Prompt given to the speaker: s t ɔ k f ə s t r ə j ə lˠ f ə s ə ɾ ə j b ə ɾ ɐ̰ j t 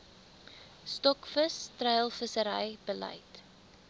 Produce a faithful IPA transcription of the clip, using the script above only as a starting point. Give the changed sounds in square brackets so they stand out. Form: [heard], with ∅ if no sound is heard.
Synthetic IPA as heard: s t ɔ k f ə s t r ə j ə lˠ f ə s ə ɾ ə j b ə [l] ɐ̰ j t